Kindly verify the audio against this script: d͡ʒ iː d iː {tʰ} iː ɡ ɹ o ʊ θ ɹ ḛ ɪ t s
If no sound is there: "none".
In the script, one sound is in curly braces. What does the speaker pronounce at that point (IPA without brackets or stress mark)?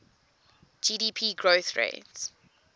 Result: pʰ